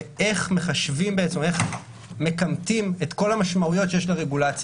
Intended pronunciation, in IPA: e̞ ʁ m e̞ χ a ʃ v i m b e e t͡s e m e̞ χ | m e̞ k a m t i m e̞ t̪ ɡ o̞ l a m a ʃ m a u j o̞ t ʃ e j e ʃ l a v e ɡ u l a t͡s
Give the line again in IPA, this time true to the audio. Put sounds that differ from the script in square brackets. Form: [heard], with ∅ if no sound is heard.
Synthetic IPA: e̞ [χ] m e̞ χ a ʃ v i m b e e t͡s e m e̞ χ | m e̞ k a m t i m e̞ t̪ [k] o̞ l a m a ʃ m a u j o̞ t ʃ e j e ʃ l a [ʁ] e ɡ u l a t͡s